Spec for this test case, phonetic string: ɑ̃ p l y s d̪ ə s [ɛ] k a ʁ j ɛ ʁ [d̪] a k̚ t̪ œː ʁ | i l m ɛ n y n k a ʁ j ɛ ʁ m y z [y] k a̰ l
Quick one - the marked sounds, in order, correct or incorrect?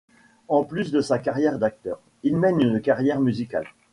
incorrect: a, correct, incorrect: i

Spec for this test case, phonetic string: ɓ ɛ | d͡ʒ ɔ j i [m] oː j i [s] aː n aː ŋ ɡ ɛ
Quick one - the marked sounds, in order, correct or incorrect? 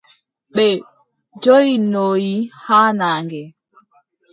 incorrect: n, incorrect: h

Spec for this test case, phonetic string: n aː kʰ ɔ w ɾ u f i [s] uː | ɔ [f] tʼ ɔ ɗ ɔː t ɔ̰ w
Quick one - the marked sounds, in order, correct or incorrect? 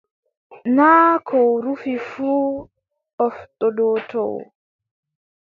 incorrect: f, correct

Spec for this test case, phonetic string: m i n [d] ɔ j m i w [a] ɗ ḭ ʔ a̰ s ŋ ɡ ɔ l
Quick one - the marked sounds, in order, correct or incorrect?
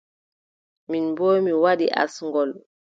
incorrect: b, correct

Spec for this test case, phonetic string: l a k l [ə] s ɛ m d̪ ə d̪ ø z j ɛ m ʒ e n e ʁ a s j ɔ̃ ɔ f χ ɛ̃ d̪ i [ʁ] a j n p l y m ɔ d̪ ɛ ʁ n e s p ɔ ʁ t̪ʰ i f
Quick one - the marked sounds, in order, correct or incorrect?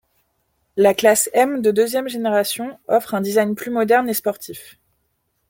incorrect: a, incorrect: z

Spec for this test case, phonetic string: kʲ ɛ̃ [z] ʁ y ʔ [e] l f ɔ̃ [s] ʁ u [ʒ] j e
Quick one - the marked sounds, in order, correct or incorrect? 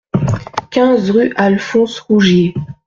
correct, incorrect: a, correct, correct

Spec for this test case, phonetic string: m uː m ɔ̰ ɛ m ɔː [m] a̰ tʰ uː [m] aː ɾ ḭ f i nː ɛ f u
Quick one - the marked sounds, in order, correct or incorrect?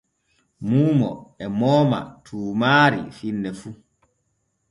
correct, correct

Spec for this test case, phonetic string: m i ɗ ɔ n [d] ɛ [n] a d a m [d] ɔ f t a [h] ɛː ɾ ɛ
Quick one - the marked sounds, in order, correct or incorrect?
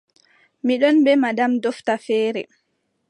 incorrect: b, incorrect: m, correct, incorrect: f

